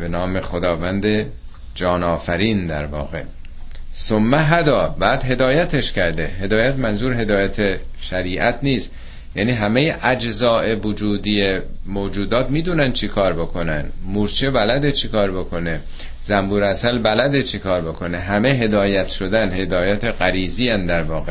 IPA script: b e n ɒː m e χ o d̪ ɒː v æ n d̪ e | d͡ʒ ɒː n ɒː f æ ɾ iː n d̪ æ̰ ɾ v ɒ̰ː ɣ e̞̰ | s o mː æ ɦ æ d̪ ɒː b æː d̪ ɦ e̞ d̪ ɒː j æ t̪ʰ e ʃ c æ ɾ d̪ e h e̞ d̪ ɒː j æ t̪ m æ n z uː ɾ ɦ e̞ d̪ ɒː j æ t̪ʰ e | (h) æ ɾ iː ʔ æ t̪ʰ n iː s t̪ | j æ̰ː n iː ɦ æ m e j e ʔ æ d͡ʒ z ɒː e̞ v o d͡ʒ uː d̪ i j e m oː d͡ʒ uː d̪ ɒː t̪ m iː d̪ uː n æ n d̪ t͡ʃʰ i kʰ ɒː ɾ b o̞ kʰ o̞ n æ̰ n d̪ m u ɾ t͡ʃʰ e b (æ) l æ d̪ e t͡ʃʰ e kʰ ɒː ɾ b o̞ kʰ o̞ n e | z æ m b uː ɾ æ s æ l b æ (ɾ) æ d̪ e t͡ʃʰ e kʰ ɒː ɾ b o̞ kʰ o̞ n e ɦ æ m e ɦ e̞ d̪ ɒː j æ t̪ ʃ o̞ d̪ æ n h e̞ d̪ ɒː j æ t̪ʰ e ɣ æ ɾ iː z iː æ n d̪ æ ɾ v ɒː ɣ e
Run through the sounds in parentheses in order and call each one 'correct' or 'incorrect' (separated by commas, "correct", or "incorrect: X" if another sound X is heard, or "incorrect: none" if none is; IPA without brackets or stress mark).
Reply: incorrect: ʃ, correct, incorrect: l